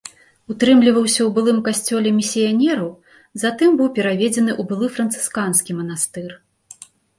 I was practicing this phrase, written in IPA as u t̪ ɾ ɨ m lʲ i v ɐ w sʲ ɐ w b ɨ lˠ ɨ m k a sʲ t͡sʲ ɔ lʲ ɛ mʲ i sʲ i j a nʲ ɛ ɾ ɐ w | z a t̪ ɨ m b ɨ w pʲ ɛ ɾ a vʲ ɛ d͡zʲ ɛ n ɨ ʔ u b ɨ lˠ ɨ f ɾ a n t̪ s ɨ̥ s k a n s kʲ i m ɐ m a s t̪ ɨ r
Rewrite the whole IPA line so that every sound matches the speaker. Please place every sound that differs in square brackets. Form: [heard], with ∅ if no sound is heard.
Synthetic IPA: u t̪ ɾ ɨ m lʲ i v ɐ w sʲ ɐ w b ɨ lˠ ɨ m k a sʲ t͡sʲ ɔ lʲ ɛ mʲ i sʲ i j a nʲ ɛ ɾ ɐ w | z a t̪ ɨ m b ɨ w pʲ ɛ ɾ a vʲ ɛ d͡zʲ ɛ n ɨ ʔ u b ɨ lˠ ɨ f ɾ [ɐ] n t̪ s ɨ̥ s k a n s kʲ i m ɐ [n] a s t̪ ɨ r

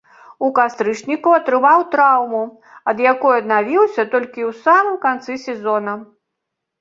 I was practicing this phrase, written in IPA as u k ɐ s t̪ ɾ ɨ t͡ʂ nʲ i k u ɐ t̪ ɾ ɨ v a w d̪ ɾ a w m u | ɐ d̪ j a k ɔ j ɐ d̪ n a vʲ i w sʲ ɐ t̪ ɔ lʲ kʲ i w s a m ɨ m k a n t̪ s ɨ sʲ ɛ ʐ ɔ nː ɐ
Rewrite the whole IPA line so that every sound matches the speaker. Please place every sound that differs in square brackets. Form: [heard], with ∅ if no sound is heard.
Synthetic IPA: u k [a] s t̪ ɾ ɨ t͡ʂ nʲ i k u ɐ t̪ ɾ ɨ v a w [t̪] ɾ a w m u | ɐ d̪ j a k ɔ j ɐ d̪ n a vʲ i w sʲ ɐ t̪ ɔ lʲ kʲ i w s a m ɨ m k a n t̪ s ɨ sʲ ɛ [z] ɔ [n] ɐ

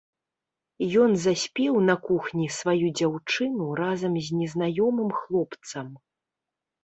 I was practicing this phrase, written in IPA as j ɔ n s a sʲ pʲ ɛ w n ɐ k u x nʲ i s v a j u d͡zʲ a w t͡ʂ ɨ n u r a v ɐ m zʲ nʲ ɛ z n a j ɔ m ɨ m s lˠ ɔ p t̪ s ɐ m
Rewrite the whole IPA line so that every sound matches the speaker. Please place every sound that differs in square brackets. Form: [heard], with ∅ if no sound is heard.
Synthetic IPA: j ɔ n [z] a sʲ pʲ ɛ w n ɐ k u x nʲ i s v a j u d͡zʲ a w t͡ʂ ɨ n u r a [z] ɐ m zʲ nʲ ɛ z n a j ɔ m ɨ m [x] lˠ ɔ p t̪ s ɐ m

